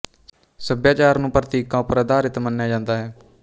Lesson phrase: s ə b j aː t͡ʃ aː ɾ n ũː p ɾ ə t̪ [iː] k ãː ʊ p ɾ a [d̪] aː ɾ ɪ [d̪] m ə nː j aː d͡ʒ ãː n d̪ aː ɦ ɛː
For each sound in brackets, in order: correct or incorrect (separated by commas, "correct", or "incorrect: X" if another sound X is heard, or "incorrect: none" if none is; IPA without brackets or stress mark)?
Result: correct, correct, incorrect: t̪